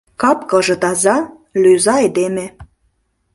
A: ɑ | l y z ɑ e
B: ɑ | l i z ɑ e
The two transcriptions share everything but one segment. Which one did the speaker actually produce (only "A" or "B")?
A